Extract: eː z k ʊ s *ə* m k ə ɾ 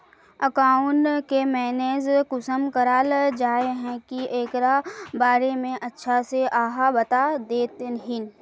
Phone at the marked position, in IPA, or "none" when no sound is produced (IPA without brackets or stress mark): ə